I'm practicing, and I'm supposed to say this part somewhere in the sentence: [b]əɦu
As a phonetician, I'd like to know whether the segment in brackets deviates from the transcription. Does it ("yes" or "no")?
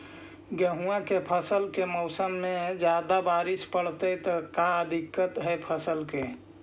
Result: yes